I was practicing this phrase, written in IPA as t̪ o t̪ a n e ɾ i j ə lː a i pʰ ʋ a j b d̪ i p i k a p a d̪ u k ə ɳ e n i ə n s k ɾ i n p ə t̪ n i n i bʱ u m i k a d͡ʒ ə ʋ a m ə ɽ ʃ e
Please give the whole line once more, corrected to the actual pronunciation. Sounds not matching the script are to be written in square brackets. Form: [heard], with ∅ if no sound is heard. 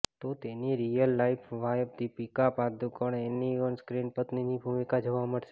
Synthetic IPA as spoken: t̪ o t̪ [e] n [i] ɾ i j ə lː a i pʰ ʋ a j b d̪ i p i k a p a d̪ u k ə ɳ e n i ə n s k ɾ i n p ə t̪ n i n i bʱ u m i k a d͡ʒ ə ʋ a m ə ɽ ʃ e